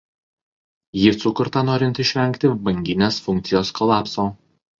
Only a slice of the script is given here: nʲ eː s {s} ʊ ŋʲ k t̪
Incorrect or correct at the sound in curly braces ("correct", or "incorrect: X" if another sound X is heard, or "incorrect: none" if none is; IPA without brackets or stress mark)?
incorrect: f